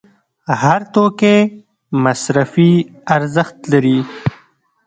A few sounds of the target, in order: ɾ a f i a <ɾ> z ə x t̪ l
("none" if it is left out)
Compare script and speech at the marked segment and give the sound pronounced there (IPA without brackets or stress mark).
ɾ